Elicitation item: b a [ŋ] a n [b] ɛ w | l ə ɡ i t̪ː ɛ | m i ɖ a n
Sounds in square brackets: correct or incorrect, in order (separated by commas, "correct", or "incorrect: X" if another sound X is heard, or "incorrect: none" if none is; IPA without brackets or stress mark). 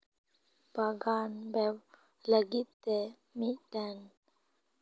incorrect: ɡ, correct